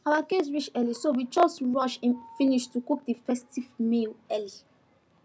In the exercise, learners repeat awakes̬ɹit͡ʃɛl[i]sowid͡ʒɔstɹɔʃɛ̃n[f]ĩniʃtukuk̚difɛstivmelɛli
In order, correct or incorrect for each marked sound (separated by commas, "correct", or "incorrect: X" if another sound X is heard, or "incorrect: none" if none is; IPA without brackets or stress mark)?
correct, correct